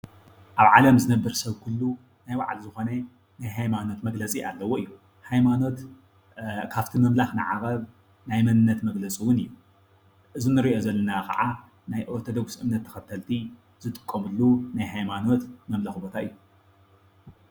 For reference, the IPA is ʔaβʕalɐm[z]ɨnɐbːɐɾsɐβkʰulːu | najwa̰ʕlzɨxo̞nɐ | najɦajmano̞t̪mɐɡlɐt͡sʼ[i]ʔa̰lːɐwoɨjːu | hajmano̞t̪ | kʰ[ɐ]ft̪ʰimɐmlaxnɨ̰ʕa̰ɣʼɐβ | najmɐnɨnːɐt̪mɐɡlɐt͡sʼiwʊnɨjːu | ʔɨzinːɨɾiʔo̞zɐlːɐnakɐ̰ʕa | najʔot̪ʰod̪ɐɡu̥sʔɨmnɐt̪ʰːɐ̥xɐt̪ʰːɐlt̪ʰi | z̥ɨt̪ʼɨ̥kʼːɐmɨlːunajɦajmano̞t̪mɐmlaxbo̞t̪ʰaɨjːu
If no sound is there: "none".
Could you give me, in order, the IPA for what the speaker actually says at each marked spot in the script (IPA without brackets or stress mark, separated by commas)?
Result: z, i, a